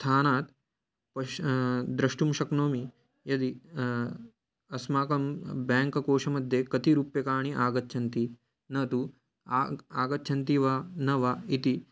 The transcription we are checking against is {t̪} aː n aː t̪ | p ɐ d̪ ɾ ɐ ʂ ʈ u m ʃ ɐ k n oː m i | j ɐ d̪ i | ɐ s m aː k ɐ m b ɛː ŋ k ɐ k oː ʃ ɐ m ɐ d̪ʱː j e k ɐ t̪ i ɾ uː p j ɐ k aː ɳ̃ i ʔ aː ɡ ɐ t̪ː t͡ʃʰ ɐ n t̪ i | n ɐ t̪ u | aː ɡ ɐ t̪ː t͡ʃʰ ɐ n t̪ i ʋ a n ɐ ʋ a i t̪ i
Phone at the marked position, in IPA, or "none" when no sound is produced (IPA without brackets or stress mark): t̪ʰ